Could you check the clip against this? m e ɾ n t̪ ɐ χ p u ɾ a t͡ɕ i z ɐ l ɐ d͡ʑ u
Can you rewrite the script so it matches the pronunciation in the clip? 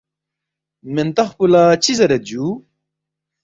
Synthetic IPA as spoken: m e n t̪ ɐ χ p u l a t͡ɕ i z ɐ ɾ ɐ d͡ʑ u